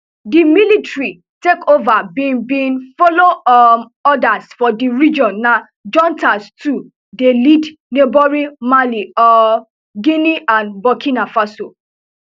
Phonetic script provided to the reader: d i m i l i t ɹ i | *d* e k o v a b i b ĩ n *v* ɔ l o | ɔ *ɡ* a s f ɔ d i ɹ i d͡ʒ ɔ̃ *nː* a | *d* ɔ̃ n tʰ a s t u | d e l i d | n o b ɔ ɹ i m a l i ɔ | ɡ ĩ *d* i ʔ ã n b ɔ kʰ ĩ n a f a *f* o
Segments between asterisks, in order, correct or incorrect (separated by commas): incorrect, incorrect, incorrect, correct, incorrect, incorrect, incorrect